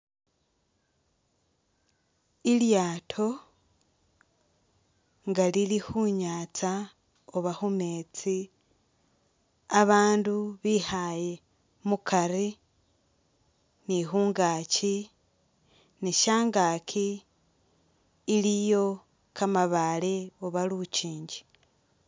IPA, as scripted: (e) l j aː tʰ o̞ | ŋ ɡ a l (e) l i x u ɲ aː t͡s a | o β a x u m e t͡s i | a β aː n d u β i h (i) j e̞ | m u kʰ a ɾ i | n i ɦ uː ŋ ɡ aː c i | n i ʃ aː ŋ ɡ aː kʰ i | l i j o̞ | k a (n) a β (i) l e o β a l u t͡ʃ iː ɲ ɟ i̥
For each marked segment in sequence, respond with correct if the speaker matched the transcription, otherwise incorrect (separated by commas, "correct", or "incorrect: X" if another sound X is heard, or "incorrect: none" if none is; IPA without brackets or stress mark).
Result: incorrect: i, incorrect: i, incorrect: a, incorrect: m, incorrect: a